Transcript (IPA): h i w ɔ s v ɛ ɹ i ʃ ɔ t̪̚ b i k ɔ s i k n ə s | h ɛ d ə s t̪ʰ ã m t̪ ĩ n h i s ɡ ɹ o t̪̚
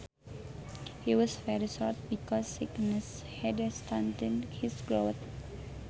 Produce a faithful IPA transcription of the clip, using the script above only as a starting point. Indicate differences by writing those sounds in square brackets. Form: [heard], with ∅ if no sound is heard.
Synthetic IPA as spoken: h i w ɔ s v ɛ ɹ i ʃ ɔ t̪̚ b i k ɔ s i k n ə s | h ɛ d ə s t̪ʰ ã [n] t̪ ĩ n h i s ɡ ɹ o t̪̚